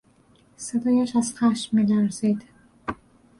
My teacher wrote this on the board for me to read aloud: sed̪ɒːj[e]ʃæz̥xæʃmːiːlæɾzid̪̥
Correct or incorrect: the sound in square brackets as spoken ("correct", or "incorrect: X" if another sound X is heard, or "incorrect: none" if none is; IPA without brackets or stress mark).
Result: incorrect: æ